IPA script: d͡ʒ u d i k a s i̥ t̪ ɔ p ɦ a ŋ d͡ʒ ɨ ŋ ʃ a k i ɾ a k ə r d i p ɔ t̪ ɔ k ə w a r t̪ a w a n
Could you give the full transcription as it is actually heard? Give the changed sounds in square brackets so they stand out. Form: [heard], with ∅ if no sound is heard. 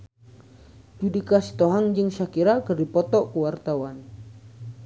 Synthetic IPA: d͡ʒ u d i k a s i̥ t̪ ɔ [∅] ɦ a ŋ d͡ʒ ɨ ŋ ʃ a k i ɾ a k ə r d i p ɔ t̪ ɔ k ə w a r t̪ a w a n